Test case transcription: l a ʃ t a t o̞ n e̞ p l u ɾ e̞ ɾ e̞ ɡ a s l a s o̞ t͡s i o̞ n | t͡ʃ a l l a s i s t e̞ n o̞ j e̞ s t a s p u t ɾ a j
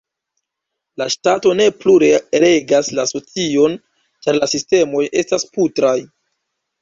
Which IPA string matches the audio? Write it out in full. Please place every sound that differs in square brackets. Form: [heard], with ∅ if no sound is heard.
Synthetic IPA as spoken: l a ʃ t a t o̞ n e̞ p l u ɾ e̞ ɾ e̞ ɡ a s l a s o̞ t͡s i o̞ n | t͡ʃ a [ɾ] l a s i s t e̞ [m] o̞ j e̞ s t a s p u t ɾ a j